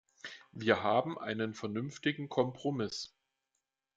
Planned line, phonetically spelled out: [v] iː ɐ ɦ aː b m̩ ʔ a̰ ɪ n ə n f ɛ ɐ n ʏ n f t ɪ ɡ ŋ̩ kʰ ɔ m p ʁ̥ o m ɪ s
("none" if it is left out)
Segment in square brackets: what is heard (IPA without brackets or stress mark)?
v